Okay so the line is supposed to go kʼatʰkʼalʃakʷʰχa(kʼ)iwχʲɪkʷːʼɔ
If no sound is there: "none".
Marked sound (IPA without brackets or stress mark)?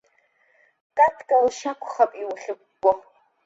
pʼ